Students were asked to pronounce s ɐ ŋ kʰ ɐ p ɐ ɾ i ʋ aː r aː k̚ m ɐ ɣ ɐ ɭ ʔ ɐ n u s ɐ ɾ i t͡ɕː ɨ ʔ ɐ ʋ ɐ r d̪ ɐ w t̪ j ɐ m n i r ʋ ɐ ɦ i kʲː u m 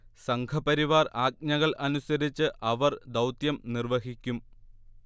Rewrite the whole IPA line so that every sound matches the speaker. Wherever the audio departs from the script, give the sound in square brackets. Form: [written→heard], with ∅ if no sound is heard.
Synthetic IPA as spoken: s ɐ ŋ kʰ ɐ p ɐ ɾ i ʋ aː r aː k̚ [m→ɲ] ɐ ɣ ɐ ɭ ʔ ɐ n u s ɐ ɾ i t͡ɕː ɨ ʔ ɐ ʋ ɐ r d̪ ɐ w t̪ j ɐ m n i r ʋ ɐ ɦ i kʲː u m